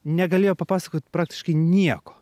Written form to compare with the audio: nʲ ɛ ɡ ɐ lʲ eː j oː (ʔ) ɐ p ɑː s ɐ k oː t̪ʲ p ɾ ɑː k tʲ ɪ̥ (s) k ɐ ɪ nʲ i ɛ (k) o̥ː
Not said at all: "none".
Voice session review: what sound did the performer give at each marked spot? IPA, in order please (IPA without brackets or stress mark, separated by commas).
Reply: p, ʃ, k